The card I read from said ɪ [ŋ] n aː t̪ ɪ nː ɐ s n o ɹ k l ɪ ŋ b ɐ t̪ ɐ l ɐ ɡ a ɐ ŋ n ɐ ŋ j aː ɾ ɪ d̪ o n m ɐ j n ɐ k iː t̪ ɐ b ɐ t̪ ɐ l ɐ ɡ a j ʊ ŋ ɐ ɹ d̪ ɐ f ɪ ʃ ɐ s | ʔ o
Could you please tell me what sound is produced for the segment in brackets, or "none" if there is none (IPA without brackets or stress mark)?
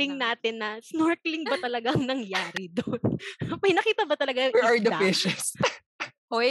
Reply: ŋ